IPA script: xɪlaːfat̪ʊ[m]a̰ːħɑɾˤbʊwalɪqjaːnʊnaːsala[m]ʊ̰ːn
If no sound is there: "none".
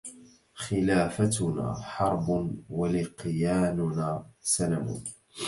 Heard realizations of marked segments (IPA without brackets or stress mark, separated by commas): n, m